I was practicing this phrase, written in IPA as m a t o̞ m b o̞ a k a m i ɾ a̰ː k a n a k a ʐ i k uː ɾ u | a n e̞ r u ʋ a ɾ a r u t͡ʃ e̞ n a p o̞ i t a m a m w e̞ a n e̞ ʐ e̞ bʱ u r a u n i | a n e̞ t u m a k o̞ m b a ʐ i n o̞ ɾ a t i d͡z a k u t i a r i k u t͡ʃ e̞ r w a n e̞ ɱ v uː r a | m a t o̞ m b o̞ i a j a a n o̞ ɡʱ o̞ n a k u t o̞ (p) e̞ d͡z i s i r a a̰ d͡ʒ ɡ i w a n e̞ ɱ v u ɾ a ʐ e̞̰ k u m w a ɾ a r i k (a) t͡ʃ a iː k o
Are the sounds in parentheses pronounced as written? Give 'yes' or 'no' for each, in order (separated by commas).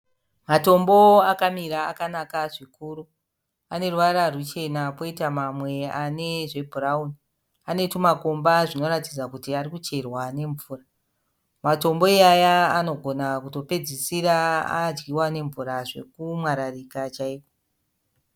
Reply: yes, yes